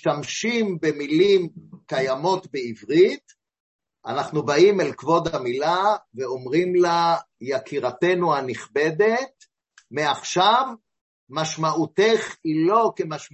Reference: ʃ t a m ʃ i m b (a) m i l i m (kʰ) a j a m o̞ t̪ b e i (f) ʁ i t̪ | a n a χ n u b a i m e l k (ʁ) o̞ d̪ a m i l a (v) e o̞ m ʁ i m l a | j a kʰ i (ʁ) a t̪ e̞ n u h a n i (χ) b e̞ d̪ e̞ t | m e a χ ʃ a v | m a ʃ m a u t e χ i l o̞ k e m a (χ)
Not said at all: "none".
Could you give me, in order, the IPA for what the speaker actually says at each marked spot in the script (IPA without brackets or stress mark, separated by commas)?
e, k, v, v, v, ʁ, χ, ʃ